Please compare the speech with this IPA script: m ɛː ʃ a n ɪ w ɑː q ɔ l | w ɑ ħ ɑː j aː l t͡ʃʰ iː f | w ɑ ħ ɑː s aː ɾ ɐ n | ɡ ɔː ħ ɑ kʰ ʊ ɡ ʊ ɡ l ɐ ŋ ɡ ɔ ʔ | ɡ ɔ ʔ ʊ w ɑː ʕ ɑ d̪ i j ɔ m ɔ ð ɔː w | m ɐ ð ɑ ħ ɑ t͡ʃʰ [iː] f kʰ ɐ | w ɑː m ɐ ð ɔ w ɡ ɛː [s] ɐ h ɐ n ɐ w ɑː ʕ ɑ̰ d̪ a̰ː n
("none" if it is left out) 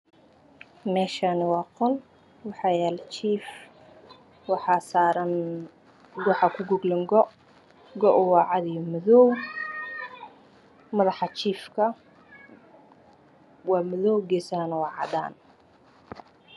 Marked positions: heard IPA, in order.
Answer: iː, s

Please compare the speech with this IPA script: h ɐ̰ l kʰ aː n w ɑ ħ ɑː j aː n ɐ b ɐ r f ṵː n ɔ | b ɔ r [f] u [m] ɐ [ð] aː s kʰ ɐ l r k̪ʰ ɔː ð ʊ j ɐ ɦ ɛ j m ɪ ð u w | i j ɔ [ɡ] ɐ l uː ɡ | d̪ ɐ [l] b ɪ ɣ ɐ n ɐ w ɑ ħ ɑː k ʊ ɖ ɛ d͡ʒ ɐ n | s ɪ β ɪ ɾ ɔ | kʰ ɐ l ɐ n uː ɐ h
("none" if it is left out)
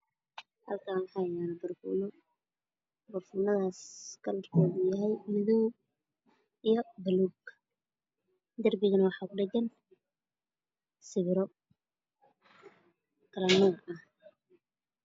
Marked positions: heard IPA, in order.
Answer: f, n, ð, b, r

